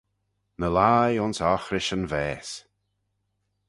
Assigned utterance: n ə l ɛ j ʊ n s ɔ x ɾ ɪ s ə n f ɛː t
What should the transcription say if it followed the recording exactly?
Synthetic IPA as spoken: n ə l a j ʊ n s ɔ x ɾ ɪ ʃ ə n v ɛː s